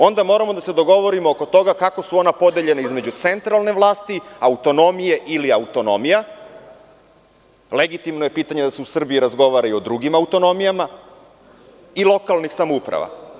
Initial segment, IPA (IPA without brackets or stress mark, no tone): o̞